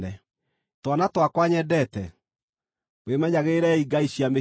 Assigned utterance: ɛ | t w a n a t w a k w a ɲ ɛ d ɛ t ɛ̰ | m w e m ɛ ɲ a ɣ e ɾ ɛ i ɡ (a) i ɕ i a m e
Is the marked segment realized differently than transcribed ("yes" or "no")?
no